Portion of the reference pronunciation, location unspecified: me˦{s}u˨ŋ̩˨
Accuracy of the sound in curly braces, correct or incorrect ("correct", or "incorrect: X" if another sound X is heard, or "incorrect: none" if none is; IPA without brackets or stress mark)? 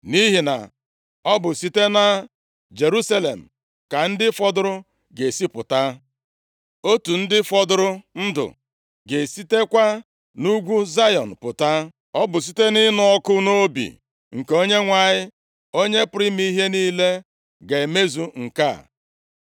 incorrect: z